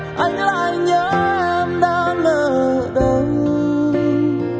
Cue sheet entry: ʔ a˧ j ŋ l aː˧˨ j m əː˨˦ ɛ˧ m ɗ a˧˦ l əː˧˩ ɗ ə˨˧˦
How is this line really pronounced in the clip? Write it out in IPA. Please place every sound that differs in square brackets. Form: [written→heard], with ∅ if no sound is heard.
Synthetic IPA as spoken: ʔ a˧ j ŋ l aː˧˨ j [m→ɲ] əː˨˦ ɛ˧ m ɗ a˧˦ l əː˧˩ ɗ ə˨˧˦